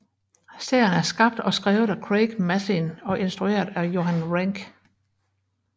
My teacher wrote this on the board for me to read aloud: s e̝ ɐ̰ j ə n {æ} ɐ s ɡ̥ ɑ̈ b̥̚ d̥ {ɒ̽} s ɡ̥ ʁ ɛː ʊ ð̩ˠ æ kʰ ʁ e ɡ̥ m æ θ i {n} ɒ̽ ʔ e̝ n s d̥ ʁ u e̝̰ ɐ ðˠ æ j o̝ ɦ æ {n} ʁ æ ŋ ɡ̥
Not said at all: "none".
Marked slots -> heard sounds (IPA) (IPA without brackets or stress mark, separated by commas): æ, ɒ̽, n, n